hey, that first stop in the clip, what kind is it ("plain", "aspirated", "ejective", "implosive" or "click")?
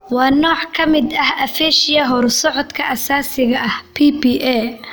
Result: aspirated